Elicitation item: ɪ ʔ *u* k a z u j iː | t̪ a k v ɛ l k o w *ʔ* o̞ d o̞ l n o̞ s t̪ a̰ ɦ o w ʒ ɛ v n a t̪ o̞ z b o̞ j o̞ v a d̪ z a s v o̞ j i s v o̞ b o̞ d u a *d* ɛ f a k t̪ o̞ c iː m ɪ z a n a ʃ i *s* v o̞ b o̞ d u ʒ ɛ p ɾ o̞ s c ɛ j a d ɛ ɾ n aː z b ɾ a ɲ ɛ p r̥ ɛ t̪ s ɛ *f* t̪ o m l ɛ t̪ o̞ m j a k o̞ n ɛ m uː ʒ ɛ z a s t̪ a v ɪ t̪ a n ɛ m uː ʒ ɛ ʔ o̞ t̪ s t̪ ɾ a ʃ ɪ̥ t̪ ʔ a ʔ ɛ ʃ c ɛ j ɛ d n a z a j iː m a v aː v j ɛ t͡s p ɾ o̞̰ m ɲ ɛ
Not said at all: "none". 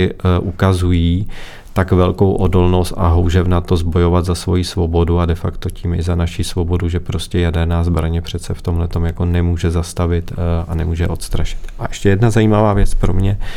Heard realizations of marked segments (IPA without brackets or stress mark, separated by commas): u, ʔ, d, s, f